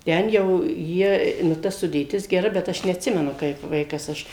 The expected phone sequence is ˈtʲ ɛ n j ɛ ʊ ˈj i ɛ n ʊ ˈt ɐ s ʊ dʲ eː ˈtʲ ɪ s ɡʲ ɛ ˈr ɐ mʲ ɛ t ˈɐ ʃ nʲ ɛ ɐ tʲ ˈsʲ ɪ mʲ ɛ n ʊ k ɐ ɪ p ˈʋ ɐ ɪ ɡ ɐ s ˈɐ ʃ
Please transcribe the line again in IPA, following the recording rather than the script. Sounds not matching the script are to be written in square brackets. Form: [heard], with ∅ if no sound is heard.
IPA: ˈtʲ ɛ n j ɛ ʊ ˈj i ɛ n ʊ ˈt ɐ s ʊ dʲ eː ˈtʲ ɪ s ɡʲ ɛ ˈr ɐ [bʲ] ɛ t ˈɐ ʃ nʲ ɛ ɐ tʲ ˈsʲ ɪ mʲ ɛ n ʊ k ɐ ɪ p ˈʋ ɐ ɪ [k] ɐ s ˈɐ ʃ